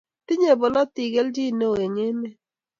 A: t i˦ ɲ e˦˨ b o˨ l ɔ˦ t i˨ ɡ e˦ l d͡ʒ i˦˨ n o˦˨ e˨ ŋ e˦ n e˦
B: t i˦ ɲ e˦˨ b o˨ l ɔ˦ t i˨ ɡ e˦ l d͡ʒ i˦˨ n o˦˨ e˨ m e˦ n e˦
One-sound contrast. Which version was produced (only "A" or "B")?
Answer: A